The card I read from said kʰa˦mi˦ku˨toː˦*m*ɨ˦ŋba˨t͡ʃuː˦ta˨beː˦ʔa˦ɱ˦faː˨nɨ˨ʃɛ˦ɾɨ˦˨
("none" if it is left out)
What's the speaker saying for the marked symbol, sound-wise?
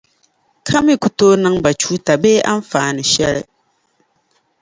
n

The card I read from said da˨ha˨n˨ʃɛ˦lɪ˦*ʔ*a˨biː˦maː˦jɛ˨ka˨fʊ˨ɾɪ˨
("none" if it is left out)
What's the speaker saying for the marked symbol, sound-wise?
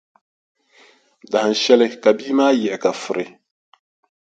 k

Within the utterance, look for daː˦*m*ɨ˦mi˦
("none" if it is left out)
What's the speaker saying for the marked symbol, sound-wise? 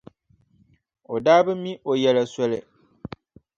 b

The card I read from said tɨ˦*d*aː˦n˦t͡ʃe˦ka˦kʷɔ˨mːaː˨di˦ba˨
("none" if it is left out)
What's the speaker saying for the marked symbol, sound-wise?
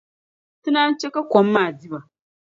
n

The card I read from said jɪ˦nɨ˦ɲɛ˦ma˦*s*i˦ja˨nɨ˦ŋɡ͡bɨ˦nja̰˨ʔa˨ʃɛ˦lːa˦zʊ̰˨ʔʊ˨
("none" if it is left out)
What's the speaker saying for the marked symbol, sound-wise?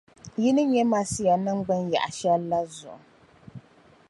s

